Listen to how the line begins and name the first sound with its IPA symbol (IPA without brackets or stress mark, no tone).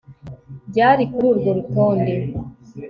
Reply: ɟ